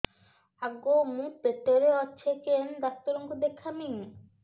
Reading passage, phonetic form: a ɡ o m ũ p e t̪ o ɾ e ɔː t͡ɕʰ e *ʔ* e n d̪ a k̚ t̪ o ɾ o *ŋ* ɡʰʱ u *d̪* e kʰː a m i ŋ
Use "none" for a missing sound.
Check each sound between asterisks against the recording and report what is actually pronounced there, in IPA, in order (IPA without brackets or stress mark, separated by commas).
k, ŋ, d̪